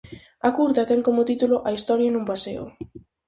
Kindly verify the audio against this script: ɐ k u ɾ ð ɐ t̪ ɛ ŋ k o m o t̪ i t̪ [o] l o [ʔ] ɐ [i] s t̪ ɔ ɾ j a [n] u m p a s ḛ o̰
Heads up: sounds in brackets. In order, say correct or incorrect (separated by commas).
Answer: incorrect, correct, correct, correct